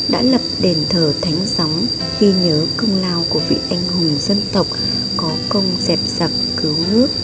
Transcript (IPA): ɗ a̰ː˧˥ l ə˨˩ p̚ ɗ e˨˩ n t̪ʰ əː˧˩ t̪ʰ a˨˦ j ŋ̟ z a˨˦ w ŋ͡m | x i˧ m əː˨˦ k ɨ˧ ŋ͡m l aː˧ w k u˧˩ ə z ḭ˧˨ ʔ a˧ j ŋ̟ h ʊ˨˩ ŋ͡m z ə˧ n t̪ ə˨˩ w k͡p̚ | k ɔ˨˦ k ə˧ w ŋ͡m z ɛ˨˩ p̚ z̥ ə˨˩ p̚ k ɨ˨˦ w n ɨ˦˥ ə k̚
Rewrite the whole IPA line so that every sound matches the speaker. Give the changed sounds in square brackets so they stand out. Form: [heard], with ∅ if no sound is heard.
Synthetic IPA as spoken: ɗ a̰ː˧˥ l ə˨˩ p̚ ɗ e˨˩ n t̪ʰ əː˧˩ t̪ʰ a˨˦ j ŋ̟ z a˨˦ w ŋ͡m | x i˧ [ɲ] əː˨˦ k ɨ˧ ŋ͡m l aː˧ w k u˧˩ ə [v] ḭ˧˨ ʔ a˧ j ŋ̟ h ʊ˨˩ ŋ͡m z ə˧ n t̪ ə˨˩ w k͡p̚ | k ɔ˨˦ k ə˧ w ŋ͡m z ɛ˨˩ p̚ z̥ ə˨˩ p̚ k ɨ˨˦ w n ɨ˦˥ ə k̚